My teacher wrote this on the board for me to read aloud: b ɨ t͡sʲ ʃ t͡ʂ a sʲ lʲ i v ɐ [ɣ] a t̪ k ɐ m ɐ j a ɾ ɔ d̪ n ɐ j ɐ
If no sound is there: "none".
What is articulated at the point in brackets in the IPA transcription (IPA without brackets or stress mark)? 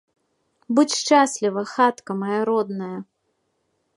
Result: x